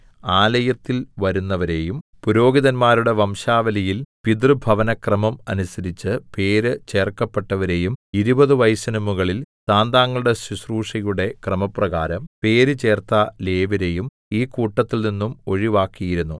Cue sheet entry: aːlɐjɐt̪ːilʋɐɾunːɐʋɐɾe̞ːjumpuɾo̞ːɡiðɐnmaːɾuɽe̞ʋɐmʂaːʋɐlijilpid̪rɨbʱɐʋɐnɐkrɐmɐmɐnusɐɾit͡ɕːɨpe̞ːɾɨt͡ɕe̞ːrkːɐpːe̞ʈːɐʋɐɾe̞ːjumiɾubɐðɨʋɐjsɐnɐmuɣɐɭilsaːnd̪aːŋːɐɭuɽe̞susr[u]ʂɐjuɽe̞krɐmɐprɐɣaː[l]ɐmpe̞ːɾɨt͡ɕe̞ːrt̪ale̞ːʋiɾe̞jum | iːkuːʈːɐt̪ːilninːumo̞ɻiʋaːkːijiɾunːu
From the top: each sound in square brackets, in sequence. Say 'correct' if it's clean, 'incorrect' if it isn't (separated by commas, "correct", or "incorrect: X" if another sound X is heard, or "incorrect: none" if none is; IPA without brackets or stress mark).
incorrect: uː, incorrect: ɾ